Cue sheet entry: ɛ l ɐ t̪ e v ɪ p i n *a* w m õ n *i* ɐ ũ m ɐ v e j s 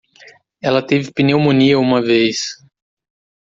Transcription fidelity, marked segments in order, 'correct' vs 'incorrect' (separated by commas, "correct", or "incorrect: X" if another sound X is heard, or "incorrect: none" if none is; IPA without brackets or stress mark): incorrect: e, correct